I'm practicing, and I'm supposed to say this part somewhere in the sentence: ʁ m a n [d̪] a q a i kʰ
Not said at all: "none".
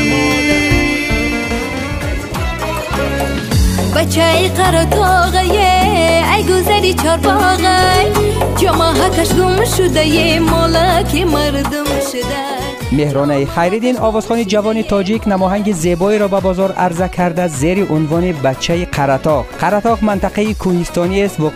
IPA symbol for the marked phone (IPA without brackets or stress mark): t̪